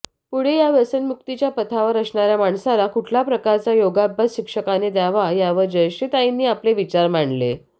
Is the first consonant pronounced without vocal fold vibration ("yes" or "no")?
yes